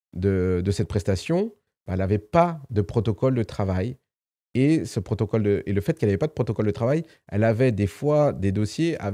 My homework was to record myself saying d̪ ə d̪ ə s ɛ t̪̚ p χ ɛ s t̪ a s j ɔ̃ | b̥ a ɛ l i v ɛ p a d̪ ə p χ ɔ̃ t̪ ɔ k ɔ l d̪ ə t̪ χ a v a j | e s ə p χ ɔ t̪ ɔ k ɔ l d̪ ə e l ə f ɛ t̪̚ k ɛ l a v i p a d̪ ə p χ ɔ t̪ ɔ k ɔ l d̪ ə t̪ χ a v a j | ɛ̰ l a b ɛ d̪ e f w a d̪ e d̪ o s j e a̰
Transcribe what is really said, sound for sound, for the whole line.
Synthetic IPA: d̪ ə d̪ ə s ɛ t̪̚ p χ ɛ s t̪ a s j ɔ̃ | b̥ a ɛ l a v ɛ p a d̪ ə p χ ɔ t̪ ɔ k ɔ l d̪ ə t̪ χ a v a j | e s ə p χ ɔ t̪ ɔ k ɔ l d̪ ə e l ə f ɛ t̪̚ k ɛ l a v ɛ p a d̪ ə p χ ɔ t̪ ɔ k ɔ l d̪ ə t̪ χ a v a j | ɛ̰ l a v ɛ d̪ e f w a d̪ e d̪ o s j e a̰